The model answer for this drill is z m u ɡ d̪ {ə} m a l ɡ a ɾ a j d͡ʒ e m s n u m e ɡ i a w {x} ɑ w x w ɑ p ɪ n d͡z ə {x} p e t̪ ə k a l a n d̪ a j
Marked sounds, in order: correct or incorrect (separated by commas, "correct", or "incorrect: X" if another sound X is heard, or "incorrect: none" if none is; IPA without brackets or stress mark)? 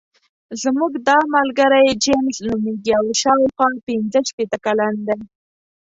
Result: incorrect: ɑ, incorrect: ʃ, incorrect: ʃ